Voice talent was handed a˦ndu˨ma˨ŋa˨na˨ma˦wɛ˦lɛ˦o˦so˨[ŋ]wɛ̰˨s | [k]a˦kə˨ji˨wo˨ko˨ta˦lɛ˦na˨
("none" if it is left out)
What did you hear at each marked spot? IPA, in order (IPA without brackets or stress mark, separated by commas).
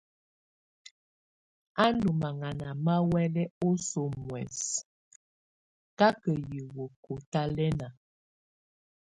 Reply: m, k